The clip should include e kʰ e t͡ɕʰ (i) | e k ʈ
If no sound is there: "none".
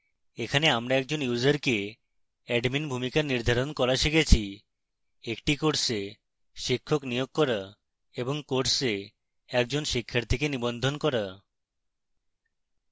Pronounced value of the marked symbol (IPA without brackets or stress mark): i